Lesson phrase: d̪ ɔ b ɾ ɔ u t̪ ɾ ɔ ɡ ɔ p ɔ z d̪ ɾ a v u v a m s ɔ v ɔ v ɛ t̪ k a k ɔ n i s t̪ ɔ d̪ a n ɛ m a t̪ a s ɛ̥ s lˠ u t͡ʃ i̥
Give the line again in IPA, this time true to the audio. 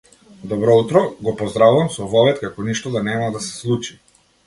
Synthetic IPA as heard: d̪ ɔ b ɾ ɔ u t̪ ɾ ɔ ɡ ɔ p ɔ z d̪ ɾ a v u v a m s ɔ v ɔ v ɛ t̪ k a k ɔ n i ʃ t̪ ɔ d̪ a n ɛ m a d̪ a s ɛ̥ s lˠ u t͡ʃ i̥